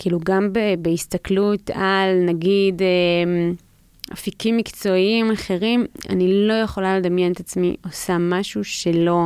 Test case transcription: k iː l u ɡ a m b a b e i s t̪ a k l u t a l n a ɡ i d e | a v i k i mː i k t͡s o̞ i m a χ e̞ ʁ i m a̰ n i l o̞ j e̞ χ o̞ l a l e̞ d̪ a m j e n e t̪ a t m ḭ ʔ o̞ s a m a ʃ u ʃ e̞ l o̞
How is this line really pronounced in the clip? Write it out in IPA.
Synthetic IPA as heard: k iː l u ɡ a m b e b e i s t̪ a k l u t a l n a ɡ i d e | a f i k i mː i k t͡s o̞ i m a χ e̞ ʁ i m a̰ n i l o̞ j e̞ χ o̞ l a l e̞ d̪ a m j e n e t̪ a t͡s m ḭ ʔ o̞ s a m a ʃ u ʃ e̞ l o̞